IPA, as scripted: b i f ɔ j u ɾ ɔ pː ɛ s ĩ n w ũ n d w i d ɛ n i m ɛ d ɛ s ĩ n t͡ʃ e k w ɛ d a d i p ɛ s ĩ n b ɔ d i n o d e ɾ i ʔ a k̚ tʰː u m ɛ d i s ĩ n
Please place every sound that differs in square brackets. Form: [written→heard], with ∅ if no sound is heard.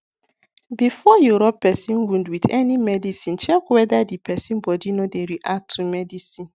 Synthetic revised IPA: b i f ɔ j u ɾ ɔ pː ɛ s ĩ n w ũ n d w i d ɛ n i m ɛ d [ɛ→i] s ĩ n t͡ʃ [e→ɛ] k w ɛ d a d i p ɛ s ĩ n b ɔ d i n o d e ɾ i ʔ a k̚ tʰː u m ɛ d i s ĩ n